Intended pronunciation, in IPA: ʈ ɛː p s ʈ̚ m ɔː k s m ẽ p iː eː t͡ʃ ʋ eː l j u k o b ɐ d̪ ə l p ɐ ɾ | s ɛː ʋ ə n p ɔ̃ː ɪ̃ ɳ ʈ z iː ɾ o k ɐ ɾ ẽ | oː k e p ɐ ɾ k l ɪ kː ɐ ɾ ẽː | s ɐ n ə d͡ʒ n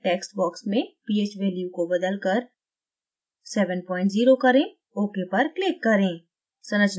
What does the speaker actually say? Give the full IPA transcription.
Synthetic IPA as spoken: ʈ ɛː k s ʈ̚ b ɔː k s m ẽ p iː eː t͡ʃ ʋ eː l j u k o b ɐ d̪ ə l k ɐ ɾ | s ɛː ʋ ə n p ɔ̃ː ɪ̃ ɳ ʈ z iː ɾ o k ɐ ɾ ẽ | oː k e p ɐ ɾ k l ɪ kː ɐ ɾ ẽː | s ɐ n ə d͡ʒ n